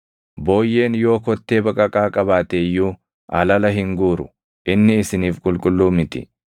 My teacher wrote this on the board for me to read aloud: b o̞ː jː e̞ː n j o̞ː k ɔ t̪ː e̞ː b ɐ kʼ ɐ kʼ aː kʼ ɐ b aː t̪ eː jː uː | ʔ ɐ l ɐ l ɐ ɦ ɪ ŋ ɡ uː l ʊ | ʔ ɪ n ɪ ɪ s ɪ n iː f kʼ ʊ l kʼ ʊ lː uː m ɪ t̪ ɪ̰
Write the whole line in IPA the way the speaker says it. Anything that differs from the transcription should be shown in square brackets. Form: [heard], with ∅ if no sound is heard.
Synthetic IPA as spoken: b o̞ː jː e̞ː n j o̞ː k ɔ t̪ː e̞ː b ɐ kʼ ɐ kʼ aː kʼ ɐ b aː t̪ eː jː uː | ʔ ɐ l ɐ l ɐ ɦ ɪ ŋ ɡ uː [ɾ] ʊ | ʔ ɪ [nː] ɪ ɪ s ɪ n iː f kʼ ʊ l kʼ ʊ lː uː m ɪ t̪ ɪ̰